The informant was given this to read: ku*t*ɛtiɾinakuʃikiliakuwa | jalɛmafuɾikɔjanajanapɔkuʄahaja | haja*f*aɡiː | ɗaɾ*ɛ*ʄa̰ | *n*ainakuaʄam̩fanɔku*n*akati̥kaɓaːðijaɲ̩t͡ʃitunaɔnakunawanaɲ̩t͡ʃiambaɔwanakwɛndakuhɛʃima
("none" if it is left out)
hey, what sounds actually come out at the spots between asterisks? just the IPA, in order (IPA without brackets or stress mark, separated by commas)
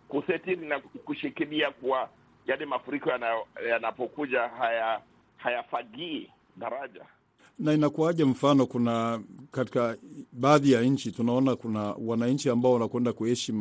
s, f, a, n, n